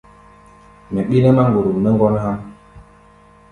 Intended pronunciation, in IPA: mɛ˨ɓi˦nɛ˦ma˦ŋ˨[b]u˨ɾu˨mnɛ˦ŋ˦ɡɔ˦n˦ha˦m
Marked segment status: incorrect: ɡ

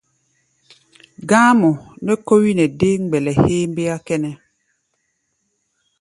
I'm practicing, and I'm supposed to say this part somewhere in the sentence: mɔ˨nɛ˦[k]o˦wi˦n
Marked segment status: correct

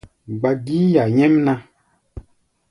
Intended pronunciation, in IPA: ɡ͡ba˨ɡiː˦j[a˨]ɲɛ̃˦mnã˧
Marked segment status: correct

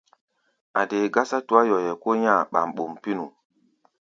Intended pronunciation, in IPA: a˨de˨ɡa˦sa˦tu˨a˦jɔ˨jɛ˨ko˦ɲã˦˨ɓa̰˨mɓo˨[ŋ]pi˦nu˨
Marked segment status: incorrect: m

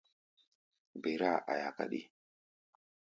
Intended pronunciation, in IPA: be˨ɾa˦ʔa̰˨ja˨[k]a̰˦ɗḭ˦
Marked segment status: correct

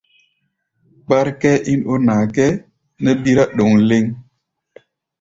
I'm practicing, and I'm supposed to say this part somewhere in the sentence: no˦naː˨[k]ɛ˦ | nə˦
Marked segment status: correct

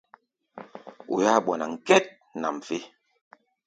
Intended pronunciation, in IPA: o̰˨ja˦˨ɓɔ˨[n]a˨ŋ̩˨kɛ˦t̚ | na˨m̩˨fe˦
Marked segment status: correct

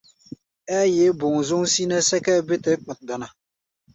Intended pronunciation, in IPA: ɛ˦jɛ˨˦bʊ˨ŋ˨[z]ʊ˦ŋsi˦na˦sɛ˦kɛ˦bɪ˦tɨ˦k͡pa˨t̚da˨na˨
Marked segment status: correct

